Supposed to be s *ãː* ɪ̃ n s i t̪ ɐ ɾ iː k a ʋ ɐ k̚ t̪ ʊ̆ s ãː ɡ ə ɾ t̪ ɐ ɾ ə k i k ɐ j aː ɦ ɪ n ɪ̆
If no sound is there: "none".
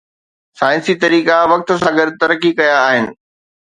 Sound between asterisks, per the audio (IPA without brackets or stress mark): aː